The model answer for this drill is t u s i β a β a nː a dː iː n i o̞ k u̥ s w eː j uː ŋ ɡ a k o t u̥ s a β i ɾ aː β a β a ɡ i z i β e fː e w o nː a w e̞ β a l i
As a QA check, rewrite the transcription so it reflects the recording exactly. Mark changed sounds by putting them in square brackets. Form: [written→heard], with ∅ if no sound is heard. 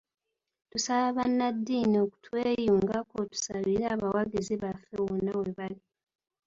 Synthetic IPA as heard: t u s [i→a] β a β a nː a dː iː n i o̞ k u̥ [s→t] w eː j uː ŋ ɡ a k o t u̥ s a β i ɾ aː β a [β→w] a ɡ i z i β [e→a] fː e w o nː a w e̞ β a l i